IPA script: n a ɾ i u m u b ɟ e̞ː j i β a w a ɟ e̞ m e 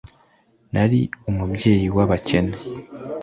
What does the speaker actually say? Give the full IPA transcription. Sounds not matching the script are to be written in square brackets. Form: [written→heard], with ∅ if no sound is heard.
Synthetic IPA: n a ɾ i u m u b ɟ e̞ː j i [β→w] a [w→β] a [ɟ→c] e̞ [m→n] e